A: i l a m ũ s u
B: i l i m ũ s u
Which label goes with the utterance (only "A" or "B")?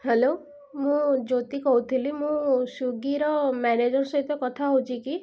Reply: B